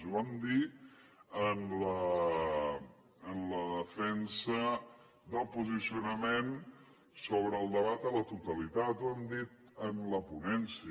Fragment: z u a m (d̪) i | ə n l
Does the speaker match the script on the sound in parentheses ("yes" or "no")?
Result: yes